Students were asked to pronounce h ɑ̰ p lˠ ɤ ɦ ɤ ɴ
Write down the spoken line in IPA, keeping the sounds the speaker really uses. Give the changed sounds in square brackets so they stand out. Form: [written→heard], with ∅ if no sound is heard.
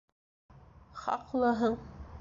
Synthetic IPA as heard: [h→χ] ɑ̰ [p→q] lˠ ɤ ɦ ɤ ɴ